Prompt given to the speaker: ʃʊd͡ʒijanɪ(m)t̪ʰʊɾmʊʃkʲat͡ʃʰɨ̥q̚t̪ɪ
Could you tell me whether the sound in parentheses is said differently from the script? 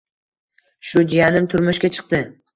no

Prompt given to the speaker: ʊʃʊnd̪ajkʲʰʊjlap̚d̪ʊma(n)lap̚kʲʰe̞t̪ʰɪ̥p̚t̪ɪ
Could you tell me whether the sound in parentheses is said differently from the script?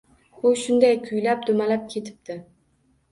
yes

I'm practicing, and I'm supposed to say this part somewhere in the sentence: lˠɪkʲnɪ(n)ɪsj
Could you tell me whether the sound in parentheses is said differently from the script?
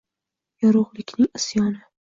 yes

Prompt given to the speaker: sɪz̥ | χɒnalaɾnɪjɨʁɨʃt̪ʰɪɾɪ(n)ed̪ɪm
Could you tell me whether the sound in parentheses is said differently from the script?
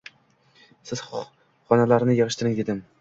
yes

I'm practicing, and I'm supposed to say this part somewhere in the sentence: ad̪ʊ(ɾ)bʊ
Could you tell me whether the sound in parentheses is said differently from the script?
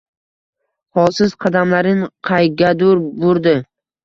no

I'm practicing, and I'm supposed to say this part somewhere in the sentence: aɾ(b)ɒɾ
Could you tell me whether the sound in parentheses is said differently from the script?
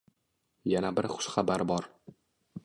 no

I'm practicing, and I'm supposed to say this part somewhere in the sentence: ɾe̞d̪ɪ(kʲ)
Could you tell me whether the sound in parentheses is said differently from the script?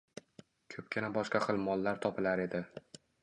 yes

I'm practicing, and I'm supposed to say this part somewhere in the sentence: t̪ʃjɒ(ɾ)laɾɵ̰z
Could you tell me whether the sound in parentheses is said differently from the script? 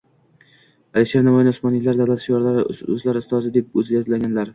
no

